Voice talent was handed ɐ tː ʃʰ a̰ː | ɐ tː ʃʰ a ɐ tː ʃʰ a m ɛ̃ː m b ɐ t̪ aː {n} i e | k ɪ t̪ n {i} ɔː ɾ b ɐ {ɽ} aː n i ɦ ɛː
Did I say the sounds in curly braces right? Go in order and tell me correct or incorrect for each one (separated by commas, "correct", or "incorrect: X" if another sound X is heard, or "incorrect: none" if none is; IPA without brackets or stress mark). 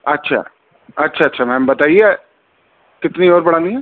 incorrect: none, correct, correct